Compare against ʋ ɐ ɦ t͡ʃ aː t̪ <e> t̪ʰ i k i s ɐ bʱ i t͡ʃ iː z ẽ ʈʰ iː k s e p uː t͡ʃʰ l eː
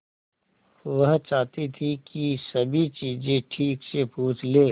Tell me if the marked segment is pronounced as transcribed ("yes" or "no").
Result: no